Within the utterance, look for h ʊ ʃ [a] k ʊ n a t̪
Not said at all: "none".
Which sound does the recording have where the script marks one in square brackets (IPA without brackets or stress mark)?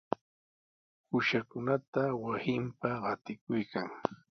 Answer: a